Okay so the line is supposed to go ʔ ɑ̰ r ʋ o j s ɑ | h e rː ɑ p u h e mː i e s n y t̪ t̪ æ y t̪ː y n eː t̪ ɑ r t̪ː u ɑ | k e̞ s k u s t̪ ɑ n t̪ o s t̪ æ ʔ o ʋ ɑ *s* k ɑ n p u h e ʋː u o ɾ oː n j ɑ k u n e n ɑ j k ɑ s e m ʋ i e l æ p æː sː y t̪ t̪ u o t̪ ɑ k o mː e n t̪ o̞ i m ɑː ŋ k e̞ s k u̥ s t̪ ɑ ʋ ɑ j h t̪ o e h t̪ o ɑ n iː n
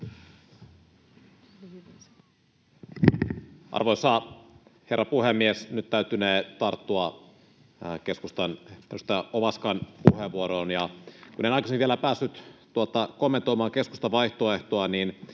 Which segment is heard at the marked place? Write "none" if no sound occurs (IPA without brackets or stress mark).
s